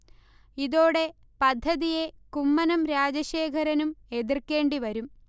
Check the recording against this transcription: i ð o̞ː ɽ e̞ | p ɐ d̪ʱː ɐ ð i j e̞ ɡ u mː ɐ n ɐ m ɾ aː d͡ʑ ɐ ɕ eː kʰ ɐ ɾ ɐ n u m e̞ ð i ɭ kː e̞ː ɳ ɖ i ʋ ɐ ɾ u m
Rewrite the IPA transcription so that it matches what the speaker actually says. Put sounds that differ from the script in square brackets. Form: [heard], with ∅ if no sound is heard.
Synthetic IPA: i ð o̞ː ɽ e̞ | p ɐ d̪ʱː ɐ ð i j e̞ [k] u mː ɐ n ɐ m ɾ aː d͡ʑ ɐ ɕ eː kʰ ɐ ɾ ɐ n u m e̞ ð i [r] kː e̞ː ɳ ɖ i ʋ ɐ ɾ u m